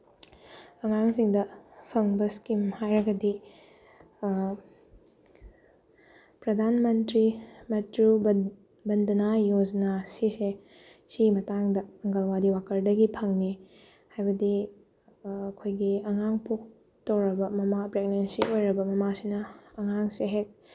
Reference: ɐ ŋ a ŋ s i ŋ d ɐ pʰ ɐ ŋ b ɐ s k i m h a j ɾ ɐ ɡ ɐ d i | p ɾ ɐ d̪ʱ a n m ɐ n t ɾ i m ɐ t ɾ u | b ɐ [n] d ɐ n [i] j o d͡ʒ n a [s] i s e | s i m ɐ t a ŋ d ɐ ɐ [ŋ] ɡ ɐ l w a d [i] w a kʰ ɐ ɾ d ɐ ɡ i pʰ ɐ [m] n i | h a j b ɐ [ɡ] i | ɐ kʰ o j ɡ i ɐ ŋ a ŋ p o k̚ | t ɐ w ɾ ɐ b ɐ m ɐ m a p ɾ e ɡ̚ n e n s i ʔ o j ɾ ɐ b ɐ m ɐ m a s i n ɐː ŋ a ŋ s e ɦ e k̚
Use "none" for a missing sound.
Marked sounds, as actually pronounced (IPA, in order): n, a, s, ŋ, i, ŋ, d

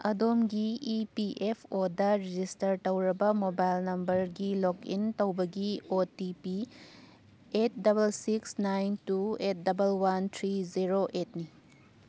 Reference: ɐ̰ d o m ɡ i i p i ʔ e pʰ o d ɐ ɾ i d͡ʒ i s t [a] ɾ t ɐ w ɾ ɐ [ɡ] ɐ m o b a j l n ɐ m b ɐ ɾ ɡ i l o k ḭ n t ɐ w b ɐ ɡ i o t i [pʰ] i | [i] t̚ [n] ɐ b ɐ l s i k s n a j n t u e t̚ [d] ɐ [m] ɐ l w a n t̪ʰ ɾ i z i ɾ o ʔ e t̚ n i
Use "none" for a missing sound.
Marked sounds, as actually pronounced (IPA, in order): ɐ, b, p, e, d, d, b

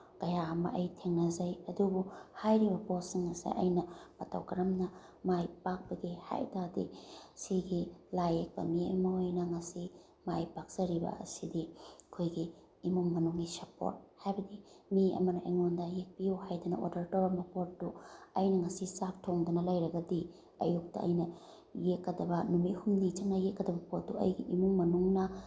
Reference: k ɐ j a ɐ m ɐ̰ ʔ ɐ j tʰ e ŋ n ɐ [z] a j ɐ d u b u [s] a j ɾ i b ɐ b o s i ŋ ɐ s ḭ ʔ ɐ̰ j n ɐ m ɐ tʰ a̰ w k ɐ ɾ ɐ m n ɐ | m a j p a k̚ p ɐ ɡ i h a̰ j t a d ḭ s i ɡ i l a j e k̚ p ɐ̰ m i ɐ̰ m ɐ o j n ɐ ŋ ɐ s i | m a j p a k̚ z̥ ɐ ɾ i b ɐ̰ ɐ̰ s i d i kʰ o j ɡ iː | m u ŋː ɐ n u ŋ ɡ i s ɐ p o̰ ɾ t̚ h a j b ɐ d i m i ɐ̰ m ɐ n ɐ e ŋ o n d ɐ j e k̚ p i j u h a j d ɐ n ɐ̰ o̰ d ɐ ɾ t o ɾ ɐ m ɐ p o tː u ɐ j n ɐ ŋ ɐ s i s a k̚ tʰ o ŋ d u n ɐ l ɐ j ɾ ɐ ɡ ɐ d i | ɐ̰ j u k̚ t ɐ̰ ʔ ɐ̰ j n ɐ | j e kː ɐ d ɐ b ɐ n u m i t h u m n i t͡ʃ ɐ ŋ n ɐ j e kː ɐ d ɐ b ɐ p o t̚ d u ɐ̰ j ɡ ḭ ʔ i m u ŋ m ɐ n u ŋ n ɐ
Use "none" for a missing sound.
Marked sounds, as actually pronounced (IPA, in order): z, h

